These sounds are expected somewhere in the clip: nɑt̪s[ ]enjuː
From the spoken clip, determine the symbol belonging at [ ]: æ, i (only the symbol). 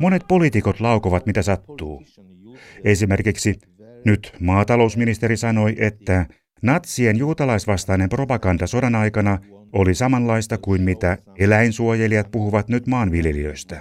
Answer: i